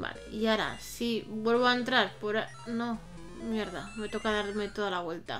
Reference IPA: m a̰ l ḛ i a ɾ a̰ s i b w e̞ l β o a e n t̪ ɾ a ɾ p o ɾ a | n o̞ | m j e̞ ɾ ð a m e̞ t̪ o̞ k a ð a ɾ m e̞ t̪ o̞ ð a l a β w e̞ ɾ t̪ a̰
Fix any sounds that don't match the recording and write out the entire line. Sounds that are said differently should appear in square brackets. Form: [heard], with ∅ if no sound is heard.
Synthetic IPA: [b] a̰ l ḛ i a ɾ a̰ s i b w e̞ l β o a e n t̪ ɾ a ɾ p o ɾ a | n o̞ | m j e̞ ɾ ð a m e̞ t̪ o̞ k a ð a ɾ m e̞ t̪ o̞ ð a l a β w e̞ [l] t̪ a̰